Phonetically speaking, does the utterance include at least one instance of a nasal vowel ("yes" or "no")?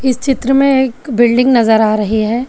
yes